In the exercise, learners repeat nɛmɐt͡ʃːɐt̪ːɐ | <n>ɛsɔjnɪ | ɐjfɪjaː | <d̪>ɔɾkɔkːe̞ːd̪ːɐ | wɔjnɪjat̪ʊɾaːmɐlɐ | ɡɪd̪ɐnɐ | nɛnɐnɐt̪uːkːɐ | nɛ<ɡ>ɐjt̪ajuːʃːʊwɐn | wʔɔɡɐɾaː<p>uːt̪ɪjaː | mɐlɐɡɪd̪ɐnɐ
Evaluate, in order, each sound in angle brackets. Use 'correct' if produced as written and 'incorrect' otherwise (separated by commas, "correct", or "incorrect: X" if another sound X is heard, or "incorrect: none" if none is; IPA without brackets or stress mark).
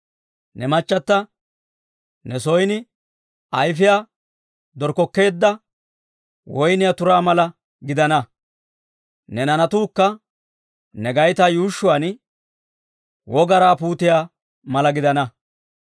correct, correct, correct, correct